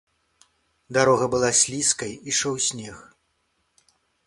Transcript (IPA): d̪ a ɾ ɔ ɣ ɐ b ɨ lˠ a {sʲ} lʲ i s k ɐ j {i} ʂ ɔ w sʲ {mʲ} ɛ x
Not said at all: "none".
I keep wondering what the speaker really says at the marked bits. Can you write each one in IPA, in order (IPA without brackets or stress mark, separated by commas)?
sʲ, i, nʲ